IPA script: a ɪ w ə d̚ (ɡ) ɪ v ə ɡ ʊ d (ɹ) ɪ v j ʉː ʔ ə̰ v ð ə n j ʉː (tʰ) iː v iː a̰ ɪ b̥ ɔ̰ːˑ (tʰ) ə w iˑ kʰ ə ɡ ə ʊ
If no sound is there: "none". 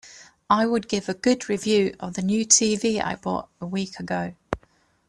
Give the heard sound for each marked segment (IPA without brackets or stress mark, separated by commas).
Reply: ɡ, ɹ, tʰ, t